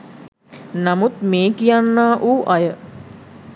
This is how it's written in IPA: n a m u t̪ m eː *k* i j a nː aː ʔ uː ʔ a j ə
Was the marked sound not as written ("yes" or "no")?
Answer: no